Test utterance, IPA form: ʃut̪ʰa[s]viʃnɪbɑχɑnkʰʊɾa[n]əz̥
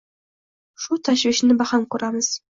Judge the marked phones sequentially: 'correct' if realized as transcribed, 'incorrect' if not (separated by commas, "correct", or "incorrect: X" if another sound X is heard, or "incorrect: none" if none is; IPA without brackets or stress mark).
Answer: incorrect: ʃ, incorrect: m